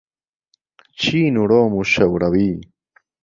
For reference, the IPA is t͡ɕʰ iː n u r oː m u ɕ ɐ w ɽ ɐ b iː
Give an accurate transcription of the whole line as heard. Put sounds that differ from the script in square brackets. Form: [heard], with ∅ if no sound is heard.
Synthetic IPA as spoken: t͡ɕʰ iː n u [ɽ] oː m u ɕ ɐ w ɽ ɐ [w] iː